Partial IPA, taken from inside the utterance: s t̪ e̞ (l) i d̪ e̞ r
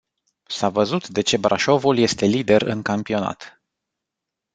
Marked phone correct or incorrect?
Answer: correct